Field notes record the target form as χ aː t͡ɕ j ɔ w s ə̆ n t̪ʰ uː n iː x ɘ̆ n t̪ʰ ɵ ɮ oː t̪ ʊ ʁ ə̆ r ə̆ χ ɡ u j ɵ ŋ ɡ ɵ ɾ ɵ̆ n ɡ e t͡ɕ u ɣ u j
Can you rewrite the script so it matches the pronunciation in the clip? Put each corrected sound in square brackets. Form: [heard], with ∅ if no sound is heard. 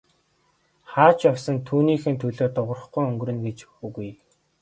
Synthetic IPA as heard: χ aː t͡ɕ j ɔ w s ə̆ n t̪ʰ uː n iː x ɘ̆ n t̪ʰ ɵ ɮ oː t̪ ʊ ʁ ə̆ r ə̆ χ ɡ u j ɵ ŋ ɡ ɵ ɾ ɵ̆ n ɡ e t͡ɕ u ɣ u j